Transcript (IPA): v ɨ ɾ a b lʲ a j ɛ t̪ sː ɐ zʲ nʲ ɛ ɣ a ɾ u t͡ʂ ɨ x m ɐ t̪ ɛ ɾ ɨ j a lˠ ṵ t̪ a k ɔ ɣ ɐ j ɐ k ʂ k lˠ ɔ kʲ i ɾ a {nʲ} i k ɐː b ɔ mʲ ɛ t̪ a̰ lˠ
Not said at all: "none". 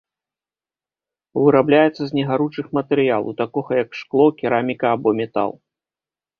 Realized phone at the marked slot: mʲ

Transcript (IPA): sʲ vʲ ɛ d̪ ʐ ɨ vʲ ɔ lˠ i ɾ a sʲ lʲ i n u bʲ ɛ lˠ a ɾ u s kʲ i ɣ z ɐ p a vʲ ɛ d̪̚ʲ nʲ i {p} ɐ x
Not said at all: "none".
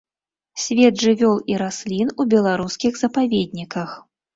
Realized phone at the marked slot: k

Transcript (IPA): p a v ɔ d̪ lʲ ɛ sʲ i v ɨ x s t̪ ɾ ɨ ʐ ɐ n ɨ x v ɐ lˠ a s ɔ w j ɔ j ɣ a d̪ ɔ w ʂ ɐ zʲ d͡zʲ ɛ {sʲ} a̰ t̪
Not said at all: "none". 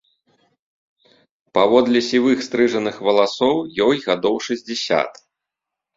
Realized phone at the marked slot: sʲ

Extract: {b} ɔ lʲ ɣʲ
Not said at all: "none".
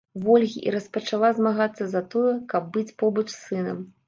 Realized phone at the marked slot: v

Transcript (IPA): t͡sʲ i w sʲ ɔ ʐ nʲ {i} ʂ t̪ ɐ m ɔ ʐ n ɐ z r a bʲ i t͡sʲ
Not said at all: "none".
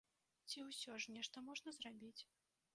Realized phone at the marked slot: ɛ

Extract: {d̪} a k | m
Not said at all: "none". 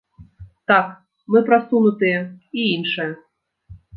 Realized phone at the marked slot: t̪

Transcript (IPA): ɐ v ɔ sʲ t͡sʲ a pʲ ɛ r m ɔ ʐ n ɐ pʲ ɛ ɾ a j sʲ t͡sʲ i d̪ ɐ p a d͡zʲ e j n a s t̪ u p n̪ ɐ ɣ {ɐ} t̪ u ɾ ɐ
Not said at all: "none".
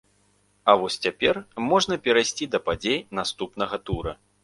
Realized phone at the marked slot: ɐ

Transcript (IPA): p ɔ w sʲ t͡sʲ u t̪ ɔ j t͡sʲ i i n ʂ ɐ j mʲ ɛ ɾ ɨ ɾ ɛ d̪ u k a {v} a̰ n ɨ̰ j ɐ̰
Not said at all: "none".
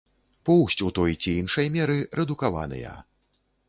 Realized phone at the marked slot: v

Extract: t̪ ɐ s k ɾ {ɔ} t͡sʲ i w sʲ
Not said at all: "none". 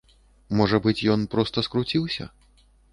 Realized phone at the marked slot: u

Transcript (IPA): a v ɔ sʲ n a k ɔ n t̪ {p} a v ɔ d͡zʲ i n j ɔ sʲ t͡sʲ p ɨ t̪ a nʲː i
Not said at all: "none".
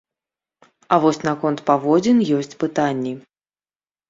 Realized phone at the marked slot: p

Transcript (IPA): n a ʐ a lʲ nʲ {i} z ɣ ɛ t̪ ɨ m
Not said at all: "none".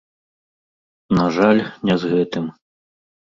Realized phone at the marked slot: ɛ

